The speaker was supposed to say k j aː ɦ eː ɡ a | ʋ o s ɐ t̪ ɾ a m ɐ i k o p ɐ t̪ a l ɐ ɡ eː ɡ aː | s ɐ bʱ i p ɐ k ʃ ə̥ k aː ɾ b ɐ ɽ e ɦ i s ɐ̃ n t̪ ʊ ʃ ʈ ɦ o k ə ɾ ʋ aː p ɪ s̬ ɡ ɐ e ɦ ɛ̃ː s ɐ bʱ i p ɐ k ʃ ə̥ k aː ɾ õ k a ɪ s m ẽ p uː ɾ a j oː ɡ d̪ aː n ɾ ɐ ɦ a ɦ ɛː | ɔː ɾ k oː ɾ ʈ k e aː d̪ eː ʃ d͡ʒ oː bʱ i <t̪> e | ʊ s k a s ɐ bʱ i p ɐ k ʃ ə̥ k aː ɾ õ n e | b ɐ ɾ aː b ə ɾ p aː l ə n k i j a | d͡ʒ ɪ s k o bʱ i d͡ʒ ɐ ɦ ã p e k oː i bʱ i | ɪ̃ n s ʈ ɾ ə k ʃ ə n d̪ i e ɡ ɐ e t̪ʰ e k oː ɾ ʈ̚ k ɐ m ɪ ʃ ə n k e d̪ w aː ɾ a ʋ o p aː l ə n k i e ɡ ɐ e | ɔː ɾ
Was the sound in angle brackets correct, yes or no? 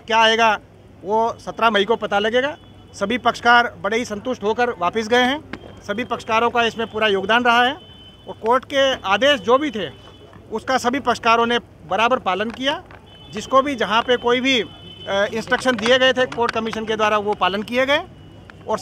no